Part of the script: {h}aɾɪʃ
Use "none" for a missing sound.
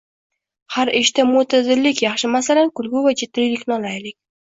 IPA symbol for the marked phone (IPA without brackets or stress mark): h